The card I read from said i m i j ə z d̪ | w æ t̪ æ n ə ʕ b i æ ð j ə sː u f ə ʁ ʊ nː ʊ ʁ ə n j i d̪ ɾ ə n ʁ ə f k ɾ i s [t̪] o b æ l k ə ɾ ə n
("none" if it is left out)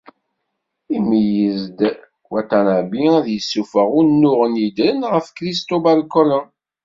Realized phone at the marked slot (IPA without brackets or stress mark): t̪